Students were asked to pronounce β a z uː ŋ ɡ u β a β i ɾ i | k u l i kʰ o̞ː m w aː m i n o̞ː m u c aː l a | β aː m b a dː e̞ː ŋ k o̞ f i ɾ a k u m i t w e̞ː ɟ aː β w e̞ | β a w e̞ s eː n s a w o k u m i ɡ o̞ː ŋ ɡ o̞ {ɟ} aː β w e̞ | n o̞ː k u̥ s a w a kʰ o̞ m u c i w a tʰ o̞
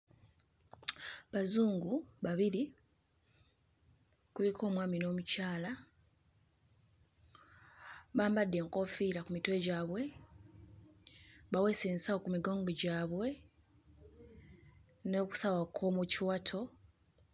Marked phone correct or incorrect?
correct